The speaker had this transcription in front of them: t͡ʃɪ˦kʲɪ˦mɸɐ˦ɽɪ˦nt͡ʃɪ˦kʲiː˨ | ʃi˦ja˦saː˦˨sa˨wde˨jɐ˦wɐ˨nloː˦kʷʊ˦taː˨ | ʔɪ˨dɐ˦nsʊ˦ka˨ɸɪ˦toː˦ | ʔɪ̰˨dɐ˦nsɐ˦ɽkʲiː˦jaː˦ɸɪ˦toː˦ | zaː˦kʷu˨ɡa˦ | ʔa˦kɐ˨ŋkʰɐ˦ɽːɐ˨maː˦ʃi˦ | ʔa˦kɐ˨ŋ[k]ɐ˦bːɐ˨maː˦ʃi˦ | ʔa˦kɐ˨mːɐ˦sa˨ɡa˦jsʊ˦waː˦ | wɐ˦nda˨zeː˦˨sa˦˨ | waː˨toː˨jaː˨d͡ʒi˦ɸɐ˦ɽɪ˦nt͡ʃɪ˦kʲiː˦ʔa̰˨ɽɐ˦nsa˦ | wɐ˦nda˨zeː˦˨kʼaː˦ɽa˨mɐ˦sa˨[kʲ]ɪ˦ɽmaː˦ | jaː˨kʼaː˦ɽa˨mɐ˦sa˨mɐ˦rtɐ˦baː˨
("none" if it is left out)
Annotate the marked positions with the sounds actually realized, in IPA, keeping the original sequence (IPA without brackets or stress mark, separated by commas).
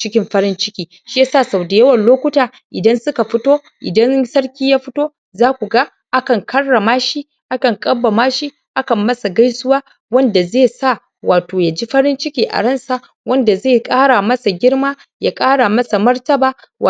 kʼ, ɡʲ